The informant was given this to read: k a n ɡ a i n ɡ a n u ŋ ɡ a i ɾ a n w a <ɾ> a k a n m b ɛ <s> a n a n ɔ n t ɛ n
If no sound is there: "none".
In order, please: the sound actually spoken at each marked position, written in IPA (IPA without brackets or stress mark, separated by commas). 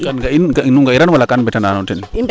l, t